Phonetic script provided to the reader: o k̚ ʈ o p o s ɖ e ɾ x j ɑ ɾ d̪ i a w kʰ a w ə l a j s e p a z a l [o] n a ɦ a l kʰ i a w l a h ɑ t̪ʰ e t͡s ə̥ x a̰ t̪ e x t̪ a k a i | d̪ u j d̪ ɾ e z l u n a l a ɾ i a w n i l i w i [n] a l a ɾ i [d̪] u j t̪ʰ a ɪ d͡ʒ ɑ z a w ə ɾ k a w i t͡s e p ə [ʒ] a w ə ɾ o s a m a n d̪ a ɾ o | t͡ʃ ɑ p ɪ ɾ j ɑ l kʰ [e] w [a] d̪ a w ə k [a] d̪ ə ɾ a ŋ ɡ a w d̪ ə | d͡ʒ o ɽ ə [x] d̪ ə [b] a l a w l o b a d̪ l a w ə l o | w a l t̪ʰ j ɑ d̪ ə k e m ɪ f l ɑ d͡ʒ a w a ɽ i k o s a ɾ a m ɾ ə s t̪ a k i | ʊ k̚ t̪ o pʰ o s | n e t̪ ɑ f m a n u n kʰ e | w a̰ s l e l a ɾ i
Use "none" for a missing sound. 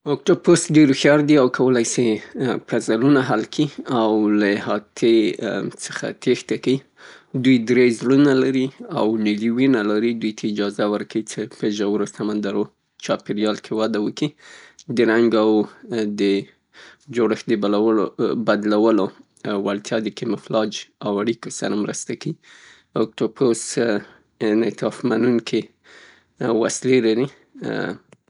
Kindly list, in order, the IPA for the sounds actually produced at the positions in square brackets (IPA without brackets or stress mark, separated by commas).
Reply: u, n, d̪, ʒ, e, a, i, x, b